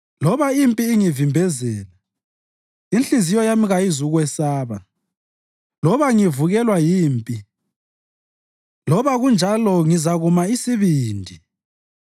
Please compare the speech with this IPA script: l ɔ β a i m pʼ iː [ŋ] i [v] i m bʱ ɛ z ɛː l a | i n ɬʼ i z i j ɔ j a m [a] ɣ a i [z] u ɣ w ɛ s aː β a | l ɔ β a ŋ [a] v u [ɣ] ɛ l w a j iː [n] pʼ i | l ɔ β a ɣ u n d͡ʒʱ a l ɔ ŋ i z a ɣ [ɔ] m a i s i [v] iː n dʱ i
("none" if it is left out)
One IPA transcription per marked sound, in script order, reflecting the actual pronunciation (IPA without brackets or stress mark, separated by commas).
ŋ, v, i, z, i, ɣ, m, u, β